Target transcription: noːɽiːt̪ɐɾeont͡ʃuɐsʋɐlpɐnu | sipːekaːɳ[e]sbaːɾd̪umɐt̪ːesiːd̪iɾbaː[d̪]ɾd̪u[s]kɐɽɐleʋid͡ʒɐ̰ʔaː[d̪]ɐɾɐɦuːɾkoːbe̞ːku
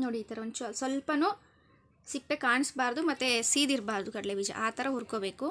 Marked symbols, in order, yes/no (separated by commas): no, no, no, no